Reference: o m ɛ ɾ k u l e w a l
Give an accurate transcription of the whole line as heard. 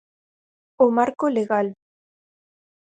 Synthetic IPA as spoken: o m a ɾ k o l e ɣ a l